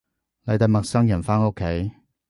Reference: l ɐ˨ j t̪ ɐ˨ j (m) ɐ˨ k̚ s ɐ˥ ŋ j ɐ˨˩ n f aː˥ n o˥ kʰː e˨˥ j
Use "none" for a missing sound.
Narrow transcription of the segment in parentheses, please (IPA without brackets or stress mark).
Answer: m